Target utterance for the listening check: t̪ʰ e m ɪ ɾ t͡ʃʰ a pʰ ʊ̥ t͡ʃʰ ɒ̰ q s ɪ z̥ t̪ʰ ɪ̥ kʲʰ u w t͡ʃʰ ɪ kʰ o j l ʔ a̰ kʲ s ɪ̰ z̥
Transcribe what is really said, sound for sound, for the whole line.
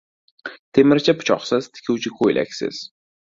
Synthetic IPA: t̪ʰ e m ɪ ɾ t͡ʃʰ a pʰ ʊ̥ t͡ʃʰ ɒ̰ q s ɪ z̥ t̪ʰ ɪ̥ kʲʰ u w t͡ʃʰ ɪ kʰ o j l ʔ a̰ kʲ s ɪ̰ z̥